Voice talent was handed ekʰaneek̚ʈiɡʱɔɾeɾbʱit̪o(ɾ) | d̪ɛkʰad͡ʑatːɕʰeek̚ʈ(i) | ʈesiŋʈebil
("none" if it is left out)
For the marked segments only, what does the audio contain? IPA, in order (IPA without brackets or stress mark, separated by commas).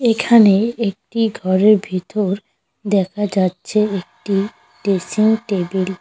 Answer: ɾ, i